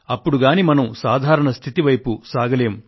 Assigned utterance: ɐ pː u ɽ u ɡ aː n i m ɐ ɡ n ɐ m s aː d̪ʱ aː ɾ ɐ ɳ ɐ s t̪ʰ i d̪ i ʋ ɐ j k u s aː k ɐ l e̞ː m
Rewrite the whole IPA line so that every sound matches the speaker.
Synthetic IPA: ɐ pː u ɽ u ɡ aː n i m ɐ n ɐ m s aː d̪ʱ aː ɾ ɐ ɳ ɐ s t̪ʰ i t̪ i ʋ ɐ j p u s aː ɡ ɐ l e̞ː m